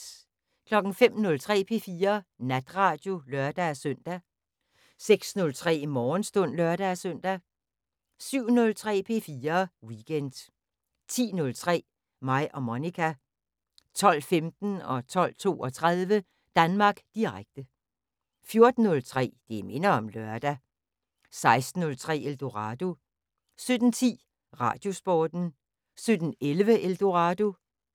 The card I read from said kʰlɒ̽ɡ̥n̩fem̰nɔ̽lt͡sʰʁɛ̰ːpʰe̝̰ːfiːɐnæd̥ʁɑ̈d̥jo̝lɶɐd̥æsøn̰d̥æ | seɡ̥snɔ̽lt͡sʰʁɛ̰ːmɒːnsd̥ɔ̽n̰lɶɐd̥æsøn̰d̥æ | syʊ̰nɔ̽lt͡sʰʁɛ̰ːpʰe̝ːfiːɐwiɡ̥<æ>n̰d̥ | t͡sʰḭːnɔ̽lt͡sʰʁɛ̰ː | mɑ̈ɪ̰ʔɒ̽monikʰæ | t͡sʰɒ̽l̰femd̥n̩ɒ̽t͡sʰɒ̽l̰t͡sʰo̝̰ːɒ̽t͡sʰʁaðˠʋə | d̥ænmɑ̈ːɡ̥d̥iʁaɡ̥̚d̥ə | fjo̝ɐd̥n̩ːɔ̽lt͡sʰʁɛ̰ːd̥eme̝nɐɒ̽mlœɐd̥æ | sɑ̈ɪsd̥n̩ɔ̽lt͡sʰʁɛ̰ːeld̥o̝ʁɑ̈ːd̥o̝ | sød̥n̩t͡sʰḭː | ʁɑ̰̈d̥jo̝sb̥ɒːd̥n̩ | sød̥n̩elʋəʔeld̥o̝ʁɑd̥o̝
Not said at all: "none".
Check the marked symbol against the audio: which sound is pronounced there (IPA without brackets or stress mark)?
e